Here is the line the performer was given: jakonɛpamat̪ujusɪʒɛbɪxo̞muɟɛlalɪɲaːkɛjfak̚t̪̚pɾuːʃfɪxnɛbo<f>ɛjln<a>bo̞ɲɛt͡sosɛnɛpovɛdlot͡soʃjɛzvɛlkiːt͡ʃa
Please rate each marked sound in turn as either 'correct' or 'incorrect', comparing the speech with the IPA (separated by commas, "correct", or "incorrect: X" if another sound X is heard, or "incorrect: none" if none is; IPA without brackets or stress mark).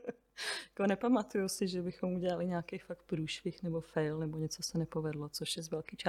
correct, incorrect: ɛ